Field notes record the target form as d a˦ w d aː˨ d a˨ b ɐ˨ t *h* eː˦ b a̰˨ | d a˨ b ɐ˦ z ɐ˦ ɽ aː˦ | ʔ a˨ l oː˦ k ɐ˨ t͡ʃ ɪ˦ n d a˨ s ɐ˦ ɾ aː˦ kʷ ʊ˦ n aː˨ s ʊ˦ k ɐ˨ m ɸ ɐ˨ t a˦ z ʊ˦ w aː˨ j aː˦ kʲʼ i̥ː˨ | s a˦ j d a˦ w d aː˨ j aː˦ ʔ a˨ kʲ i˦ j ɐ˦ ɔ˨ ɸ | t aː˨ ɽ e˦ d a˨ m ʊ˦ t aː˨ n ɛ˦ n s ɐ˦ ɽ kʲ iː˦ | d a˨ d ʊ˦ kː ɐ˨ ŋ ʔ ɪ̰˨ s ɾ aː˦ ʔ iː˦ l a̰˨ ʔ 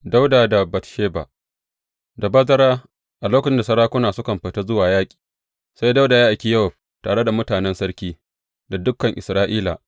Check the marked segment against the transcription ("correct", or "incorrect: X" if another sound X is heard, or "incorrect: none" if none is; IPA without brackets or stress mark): incorrect: ʃ